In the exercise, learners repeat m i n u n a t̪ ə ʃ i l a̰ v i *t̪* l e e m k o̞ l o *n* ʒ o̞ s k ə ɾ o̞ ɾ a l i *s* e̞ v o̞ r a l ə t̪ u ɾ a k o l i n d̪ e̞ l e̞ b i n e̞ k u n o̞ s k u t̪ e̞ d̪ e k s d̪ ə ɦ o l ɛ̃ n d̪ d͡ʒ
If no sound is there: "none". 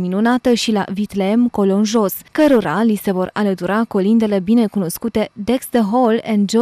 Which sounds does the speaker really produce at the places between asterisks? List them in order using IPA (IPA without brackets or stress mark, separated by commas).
t̪, n, s